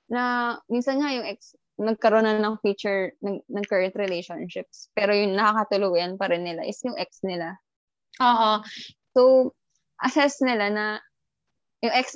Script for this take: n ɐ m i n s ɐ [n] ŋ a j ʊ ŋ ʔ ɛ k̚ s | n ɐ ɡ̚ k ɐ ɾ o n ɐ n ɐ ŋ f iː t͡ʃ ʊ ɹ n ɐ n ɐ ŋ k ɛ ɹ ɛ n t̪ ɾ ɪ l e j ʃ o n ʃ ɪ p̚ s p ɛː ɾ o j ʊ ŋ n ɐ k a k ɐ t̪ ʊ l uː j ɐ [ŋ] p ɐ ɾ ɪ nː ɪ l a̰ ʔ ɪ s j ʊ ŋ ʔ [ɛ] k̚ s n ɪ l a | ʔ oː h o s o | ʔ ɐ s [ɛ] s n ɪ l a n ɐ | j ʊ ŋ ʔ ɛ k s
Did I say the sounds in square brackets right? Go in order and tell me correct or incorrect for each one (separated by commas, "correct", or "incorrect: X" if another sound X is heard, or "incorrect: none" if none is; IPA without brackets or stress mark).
correct, incorrect: n, correct, correct